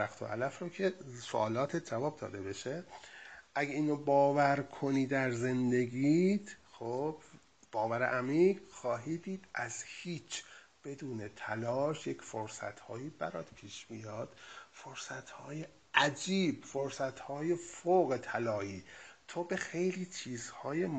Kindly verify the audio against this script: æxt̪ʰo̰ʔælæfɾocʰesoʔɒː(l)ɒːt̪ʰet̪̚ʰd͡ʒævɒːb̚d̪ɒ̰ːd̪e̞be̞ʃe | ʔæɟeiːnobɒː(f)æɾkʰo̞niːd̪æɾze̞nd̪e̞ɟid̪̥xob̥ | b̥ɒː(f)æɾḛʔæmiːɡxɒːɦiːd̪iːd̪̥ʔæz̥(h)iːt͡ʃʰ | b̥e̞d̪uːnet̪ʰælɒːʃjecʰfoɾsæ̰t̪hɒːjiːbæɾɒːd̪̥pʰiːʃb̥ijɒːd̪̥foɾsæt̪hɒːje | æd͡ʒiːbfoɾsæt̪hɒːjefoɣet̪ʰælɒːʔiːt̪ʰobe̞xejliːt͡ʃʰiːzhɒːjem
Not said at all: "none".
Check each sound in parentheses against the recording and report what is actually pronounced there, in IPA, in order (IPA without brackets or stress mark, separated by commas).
l, v, v, h